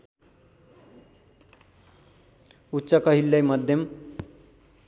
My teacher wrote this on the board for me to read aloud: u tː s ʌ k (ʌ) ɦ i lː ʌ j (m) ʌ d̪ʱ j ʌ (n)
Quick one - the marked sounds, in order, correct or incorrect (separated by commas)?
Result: correct, correct, incorrect